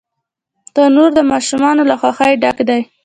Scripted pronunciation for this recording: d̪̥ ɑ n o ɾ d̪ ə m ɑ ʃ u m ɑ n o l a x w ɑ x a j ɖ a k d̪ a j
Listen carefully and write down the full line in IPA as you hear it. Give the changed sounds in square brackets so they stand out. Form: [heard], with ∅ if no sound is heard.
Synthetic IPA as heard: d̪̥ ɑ n o ɾ d̪ ə m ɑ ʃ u m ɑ n o l a x w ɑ x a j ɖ a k d̪ a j

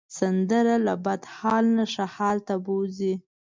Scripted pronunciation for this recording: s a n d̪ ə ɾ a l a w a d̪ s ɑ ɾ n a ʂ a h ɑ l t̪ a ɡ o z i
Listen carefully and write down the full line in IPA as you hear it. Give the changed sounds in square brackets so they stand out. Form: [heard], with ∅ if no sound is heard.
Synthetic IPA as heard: s a n d̪ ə ɾ a l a [b] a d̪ [h] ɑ [l] n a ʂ a h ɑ l t̪ a [b] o z i

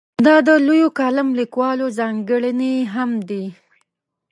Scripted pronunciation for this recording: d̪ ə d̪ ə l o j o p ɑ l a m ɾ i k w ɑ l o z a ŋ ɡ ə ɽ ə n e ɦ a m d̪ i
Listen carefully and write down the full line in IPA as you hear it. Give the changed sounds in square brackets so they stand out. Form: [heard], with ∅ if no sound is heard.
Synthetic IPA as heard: d̪ [ɑ] d̪ ə l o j o [k] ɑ l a m [l] i k w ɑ l o z [ɑ] ŋ ɡ ə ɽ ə n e ɦ a m d̪ i

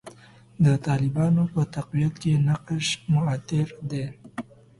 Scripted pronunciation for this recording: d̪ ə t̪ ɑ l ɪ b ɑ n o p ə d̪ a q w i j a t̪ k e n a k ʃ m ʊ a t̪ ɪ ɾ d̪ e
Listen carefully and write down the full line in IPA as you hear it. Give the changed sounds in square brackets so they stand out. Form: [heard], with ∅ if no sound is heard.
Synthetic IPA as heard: d̪ ə t̪ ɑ l ɪ b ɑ n o p ə [t̪] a q w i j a t̪ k e n a [q] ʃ m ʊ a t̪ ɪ ɾ d̪ e

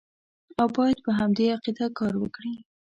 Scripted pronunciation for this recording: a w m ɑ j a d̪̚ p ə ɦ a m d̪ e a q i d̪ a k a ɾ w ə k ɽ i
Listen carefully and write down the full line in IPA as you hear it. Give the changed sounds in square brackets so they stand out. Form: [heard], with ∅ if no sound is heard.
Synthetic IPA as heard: a w [b] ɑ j a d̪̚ p ə ɦ a m d̪ e a q i d̪ a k [ɑ] ɾ w ə k ɽ i

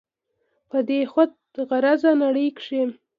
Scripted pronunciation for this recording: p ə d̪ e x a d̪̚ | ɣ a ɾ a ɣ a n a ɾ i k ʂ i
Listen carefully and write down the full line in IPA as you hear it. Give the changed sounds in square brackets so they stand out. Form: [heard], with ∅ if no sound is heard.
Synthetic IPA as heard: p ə d̪ e x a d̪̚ | ɣ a ɾ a [z] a n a [ɽ] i k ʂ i

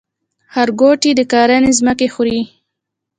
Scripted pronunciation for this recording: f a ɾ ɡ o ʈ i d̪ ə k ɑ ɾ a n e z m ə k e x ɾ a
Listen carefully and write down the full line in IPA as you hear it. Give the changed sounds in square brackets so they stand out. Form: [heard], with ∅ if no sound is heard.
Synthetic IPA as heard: [h] a ɾ ɡ o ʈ i d̪ ə k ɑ ɾ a n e z m ə k e x ɾ [i]

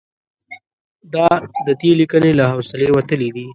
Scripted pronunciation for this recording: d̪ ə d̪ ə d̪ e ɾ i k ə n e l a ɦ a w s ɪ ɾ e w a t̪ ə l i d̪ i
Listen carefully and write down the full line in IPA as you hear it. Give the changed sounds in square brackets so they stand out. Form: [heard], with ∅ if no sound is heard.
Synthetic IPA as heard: d̪ [ɑ] d̪ ə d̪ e [l] i k ə n e l a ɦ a w s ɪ [l] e w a t̪ ə l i d̪ i

